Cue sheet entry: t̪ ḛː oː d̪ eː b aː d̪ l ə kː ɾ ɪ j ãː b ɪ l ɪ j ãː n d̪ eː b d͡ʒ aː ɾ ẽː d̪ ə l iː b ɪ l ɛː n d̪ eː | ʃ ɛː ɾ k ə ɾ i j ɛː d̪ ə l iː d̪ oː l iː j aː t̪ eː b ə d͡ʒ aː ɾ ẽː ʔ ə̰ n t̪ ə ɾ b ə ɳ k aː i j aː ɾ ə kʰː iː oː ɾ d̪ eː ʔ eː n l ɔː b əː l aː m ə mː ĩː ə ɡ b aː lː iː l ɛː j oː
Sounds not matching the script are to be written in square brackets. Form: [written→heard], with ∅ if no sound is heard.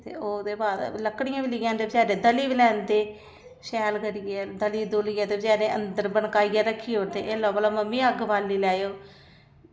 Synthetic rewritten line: t̪ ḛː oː d̪ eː b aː d̪ l ə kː [ɾ→ɽ] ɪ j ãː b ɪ l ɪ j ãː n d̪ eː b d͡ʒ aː ɾ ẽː d̪ ə l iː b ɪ l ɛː n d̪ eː | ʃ ɛː [ɾ→l] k ə ɾ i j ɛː d̪ ə l iː d̪ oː l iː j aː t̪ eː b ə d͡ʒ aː ɾ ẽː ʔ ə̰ n [t̪→d̪] ə ɾ b ə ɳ k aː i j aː ɾ ə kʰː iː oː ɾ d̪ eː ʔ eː [n→∅] l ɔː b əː l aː m ə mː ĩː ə ɡ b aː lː iː l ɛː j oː